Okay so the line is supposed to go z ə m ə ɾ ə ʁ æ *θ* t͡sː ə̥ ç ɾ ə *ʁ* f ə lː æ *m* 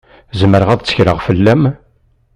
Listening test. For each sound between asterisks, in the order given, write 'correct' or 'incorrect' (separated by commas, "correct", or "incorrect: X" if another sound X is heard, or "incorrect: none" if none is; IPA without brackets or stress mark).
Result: incorrect: ð, correct, correct